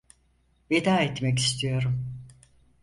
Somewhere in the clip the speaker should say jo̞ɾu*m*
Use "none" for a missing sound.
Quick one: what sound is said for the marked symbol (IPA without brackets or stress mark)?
m